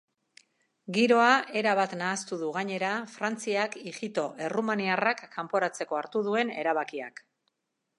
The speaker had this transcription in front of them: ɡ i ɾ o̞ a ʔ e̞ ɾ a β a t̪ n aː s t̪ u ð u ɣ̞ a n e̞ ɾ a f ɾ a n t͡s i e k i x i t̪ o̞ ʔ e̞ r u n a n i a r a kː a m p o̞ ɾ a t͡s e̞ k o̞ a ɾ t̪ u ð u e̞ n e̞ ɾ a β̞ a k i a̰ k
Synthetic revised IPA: ɡ i ɾ o̞ a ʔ e̞ ɾ a β a t̪ n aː s t̪ u ð u ɣ̞ a ɲ e̞ ɾ a f ɾ a n t͡s i a k i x i t̪ o̞ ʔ e̞ r u m a n i a r a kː a m p o̞ ɾ a t͡s e̞ k o̞ a ɾ t̪ u ð u e̞ n e̞ ɾ a β̞ a k i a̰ k